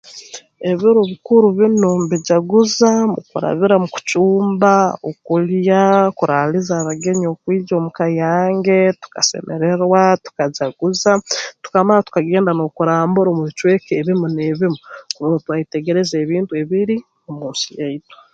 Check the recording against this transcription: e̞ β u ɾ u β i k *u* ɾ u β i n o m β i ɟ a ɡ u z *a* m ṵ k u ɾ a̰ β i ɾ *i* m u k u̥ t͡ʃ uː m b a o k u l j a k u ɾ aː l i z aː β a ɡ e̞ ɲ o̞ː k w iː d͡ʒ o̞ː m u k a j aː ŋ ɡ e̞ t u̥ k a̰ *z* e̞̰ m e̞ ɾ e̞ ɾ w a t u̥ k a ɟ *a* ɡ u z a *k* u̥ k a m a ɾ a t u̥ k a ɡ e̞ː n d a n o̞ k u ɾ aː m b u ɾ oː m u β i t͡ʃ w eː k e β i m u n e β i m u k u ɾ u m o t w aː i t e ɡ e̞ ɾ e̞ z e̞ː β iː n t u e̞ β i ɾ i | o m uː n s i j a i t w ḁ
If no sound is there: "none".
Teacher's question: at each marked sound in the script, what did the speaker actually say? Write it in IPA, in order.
u, a, a, s, a, t

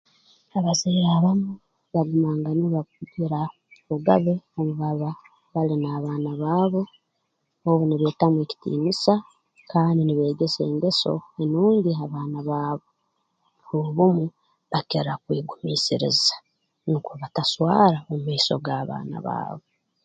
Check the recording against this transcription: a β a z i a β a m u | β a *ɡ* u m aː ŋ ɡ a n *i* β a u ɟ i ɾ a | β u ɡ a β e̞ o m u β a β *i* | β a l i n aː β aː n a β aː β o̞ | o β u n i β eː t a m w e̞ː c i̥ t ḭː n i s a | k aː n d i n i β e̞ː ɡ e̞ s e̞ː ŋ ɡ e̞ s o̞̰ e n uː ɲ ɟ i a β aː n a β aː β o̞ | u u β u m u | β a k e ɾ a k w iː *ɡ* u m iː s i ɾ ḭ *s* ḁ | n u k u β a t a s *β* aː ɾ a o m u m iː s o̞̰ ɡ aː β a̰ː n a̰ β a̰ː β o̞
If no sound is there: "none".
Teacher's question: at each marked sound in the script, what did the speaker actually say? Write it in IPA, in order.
ɡ, i, a, ɡ, z, w

